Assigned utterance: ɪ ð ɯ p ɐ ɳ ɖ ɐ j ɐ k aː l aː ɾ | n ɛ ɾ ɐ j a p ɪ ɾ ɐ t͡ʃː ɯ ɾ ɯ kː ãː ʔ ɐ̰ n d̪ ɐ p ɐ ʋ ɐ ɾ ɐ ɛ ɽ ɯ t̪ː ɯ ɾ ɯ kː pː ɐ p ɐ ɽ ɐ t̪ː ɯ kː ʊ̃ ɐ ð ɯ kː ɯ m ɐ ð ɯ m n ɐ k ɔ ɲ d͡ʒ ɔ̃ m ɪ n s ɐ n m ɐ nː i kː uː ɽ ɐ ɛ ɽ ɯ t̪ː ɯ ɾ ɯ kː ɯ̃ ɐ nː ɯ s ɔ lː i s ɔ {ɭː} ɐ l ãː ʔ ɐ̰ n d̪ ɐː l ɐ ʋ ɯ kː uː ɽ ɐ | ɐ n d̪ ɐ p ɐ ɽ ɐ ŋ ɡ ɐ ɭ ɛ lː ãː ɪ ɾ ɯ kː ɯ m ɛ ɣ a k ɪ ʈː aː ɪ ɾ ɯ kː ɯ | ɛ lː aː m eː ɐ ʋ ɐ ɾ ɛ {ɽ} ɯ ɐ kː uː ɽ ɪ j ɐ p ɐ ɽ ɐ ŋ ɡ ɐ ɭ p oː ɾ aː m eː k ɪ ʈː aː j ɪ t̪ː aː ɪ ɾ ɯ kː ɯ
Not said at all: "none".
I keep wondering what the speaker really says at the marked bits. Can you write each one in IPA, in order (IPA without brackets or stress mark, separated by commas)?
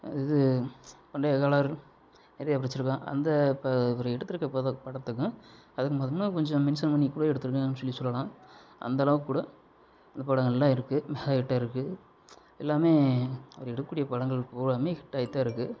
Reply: lː, ɽ